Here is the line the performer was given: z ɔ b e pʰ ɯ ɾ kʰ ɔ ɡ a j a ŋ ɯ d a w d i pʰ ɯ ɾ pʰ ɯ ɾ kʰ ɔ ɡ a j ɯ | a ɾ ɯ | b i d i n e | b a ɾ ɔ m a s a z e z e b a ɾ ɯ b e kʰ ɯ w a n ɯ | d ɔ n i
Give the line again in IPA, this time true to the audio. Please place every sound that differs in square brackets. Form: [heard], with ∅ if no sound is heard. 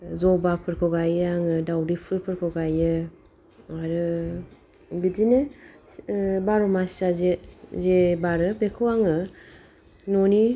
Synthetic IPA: z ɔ b [a] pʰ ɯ ɾ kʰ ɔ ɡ a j a ŋ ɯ d a w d i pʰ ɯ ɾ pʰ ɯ ɾ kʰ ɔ ɡ a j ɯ | a ɾ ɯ | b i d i n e | b a ɾ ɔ m a s a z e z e b a ɾ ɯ b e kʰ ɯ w a [ŋ] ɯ | [n] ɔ n i